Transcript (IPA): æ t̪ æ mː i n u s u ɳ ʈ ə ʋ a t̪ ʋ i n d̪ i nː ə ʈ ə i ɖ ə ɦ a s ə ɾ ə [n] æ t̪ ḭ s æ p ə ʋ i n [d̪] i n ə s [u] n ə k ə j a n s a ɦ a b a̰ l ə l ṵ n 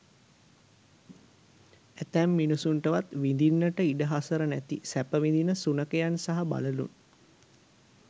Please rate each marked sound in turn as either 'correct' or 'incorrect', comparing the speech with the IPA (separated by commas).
correct, correct, correct